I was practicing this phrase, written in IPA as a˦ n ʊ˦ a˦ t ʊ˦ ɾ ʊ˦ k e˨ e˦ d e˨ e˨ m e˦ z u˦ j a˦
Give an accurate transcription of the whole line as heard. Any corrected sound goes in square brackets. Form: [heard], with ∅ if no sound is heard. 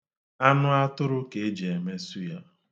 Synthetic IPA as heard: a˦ n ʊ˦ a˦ t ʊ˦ ɾ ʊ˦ k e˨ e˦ [d͡ʒ] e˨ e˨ m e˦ [s] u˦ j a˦